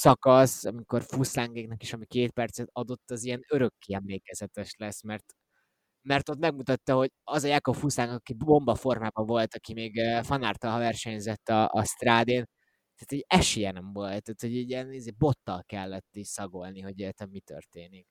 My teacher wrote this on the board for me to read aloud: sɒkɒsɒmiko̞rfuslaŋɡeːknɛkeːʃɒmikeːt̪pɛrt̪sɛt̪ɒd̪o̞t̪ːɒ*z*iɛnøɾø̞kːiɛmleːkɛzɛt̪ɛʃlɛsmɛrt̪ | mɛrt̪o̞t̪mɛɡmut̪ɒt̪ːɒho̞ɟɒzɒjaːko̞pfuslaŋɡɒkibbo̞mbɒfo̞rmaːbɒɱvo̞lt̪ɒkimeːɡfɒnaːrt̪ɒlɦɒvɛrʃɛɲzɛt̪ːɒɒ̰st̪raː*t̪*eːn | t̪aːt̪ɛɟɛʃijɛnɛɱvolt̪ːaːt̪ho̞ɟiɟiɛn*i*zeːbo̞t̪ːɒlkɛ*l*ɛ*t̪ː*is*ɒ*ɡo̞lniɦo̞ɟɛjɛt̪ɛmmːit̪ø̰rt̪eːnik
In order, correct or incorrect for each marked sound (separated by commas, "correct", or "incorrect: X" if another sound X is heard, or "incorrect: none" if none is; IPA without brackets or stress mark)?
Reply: correct, incorrect: d̪, correct, incorrect: lː, correct, correct